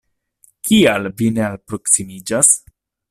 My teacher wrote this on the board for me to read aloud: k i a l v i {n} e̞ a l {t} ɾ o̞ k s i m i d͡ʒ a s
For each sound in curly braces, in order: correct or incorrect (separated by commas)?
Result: correct, incorrect